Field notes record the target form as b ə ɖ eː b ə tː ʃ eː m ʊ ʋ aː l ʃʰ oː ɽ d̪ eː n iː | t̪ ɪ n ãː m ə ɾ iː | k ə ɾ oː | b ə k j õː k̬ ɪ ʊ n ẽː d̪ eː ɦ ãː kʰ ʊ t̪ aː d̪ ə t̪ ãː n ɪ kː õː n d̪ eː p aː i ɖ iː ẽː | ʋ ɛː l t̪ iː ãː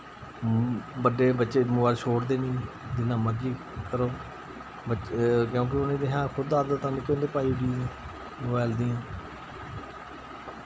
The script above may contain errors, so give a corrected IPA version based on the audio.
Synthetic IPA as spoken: b ə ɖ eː b ə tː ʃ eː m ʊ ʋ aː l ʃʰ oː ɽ d̪ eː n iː | d̪ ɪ n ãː m ə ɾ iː | k ə ɾ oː | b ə k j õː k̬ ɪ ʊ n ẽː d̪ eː ɦ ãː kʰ ʊ d̪ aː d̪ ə t̪ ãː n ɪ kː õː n d̪ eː p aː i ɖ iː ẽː | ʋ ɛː l d̪ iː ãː